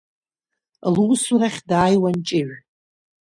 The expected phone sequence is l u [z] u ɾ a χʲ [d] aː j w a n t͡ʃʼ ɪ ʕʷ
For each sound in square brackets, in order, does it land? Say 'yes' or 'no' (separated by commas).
no, yes